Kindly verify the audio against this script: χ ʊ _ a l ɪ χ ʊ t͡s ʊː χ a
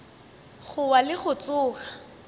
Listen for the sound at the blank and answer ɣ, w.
w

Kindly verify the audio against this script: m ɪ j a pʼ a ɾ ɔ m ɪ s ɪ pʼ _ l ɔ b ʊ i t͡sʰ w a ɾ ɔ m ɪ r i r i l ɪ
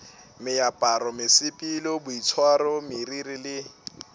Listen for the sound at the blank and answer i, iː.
i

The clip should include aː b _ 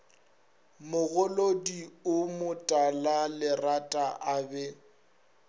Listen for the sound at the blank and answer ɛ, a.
ɛ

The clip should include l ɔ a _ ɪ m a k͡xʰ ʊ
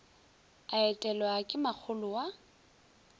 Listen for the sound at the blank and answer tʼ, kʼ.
kʼ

